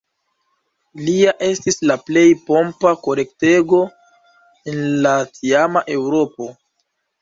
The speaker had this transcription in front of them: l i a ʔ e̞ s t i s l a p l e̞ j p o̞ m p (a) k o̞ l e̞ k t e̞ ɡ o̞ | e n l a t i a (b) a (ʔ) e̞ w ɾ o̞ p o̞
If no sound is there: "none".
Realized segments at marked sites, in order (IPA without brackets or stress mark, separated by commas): a, m, ʔ